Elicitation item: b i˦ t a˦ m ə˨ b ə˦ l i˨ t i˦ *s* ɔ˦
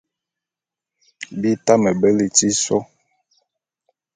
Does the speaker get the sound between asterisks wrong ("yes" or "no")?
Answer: no